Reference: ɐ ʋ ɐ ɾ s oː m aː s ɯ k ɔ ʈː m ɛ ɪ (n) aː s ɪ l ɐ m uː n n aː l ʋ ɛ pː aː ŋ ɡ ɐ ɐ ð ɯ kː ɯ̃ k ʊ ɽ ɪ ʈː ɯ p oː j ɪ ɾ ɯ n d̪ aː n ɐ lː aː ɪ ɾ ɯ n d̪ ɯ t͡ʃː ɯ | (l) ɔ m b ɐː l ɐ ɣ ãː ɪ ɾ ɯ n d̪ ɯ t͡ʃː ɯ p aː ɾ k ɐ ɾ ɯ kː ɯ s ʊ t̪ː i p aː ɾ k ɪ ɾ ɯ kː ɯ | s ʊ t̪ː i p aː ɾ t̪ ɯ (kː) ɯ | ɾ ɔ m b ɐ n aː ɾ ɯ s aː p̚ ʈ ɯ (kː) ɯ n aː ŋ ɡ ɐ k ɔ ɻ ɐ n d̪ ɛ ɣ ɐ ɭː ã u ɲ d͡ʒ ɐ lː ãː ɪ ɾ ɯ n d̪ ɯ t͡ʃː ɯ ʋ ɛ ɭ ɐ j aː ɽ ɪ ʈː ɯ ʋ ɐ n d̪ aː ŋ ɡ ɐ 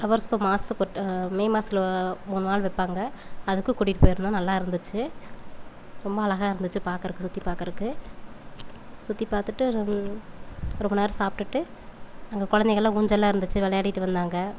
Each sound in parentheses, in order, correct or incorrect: incorrect: m, incorrect: ɾ, incorrect: ʈː, incorrect: ʈː

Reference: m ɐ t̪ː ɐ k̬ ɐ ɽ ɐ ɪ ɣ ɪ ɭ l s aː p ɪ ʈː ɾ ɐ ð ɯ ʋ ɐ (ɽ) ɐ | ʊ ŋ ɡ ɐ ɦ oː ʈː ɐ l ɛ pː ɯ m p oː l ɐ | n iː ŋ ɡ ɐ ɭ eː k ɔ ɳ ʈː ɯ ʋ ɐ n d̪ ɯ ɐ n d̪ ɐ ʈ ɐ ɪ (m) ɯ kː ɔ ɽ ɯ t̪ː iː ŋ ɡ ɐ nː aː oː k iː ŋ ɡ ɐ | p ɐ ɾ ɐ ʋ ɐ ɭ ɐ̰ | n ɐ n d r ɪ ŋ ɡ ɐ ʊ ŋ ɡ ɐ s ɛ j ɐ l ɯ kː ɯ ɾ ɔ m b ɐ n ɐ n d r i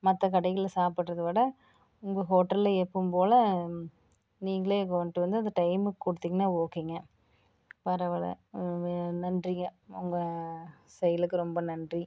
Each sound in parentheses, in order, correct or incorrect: correct, correct

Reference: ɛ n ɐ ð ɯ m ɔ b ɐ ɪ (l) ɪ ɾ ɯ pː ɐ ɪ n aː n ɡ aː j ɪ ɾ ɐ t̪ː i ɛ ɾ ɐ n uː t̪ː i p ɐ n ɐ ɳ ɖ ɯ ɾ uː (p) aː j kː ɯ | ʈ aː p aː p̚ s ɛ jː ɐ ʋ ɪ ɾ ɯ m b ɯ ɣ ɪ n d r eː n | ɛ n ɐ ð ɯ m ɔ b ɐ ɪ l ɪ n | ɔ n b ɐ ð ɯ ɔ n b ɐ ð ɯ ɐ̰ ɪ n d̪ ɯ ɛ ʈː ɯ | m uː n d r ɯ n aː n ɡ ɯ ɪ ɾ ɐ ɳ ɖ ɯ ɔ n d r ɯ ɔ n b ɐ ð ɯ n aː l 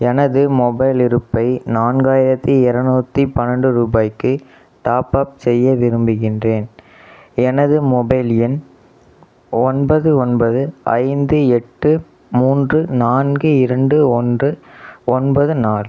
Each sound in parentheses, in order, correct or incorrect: correct, incorrect: b

